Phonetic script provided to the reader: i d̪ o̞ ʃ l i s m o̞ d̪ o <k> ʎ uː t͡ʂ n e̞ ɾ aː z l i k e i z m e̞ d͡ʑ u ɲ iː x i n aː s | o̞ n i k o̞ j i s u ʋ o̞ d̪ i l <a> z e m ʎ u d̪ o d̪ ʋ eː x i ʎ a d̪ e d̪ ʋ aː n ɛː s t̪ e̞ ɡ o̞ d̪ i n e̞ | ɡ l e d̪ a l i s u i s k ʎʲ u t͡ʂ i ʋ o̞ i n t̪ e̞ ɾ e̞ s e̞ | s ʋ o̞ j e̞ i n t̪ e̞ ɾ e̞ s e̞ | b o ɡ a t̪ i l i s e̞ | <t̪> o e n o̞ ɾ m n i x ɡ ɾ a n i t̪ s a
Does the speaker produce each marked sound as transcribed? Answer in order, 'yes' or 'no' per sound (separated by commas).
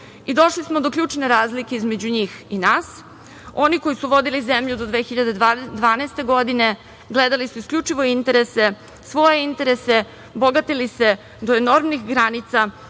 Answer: yes, no, no